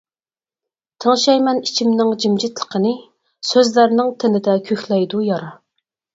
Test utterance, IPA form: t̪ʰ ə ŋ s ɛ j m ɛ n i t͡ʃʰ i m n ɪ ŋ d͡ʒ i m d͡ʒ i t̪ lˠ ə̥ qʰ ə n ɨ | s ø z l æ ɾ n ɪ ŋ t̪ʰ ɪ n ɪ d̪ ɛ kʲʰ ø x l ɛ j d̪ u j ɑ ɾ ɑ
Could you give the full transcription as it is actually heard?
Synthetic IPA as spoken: t̪ʰ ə ŋ ʃ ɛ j m ɛ n i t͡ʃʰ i m n ɪ ŋ d͡ʒ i m d͡ʒ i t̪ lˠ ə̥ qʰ ə n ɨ | s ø z l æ ɾ n ɪ ŋ t̪ʰ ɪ n ɪ d̪ ɛ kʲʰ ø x l ɛ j d̪ u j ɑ ɾ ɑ